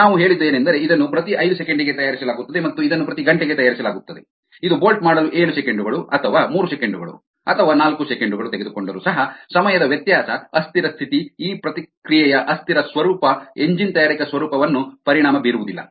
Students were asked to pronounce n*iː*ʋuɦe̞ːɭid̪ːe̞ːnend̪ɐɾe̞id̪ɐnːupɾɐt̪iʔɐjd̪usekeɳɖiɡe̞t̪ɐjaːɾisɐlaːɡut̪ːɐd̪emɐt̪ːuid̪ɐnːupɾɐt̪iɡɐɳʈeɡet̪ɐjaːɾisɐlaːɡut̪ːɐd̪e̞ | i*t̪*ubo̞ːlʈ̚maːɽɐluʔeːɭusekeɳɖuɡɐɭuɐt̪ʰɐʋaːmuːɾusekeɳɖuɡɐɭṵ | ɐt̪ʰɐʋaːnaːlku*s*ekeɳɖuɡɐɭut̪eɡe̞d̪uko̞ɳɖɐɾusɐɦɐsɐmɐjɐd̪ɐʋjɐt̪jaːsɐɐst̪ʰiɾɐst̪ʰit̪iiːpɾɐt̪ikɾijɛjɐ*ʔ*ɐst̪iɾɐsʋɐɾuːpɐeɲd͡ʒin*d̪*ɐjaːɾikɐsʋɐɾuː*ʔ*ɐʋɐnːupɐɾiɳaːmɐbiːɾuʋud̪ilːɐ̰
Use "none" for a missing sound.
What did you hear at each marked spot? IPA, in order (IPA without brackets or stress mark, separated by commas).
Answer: aː, d̪, s, ʔ, t̪, p